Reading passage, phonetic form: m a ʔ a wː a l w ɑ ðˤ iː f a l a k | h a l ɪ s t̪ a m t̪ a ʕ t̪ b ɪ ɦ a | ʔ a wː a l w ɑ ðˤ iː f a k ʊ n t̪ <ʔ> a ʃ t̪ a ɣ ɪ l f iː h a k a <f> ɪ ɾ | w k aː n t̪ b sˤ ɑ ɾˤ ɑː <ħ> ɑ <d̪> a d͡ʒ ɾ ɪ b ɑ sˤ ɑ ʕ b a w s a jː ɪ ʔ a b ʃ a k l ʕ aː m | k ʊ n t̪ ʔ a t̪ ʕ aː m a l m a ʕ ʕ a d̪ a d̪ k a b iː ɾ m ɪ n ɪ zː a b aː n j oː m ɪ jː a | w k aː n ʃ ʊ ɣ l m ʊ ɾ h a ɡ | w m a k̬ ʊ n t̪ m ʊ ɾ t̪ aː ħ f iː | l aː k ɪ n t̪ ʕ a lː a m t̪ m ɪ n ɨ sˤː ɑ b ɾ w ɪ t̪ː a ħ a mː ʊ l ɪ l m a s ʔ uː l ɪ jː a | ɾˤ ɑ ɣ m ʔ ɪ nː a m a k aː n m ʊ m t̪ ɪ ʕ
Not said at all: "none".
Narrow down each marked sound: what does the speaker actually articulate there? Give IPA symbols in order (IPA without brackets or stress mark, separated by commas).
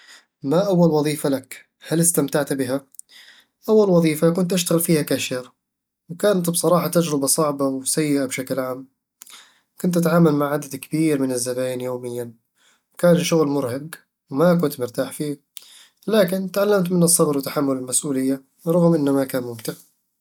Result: ʔ, ʃ, ħ, t̪